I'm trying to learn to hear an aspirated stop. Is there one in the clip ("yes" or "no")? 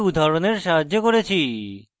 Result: yes